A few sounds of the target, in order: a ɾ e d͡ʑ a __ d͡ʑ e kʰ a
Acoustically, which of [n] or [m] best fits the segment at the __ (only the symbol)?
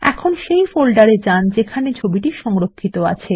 n